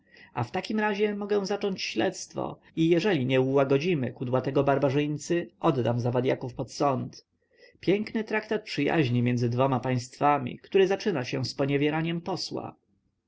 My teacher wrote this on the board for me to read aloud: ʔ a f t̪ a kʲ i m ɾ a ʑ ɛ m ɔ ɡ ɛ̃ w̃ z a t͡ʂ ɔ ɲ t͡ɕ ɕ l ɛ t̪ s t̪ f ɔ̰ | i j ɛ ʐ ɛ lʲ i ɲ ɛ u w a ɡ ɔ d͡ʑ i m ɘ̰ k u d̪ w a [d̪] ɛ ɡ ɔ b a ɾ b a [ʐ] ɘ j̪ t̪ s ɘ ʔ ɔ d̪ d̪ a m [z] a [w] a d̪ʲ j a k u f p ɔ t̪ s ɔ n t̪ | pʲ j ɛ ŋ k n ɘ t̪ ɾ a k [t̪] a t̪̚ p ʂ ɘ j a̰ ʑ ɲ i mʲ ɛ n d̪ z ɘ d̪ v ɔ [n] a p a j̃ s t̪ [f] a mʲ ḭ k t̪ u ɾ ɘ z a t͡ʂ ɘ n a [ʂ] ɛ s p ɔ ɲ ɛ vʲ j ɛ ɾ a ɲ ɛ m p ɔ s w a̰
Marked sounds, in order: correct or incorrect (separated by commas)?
incorrect, correct, correct, incorrect, correct, incorrect, correct, incorrect